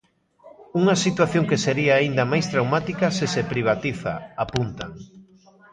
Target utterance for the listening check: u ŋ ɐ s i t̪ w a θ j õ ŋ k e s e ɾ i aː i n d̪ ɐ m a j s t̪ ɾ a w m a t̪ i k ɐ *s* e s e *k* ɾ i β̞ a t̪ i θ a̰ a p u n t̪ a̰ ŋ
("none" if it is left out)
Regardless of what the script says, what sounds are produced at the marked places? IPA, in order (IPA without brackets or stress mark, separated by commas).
s, p